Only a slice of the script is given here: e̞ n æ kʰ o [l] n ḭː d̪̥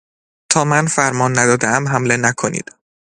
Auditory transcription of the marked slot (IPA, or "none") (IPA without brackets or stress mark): none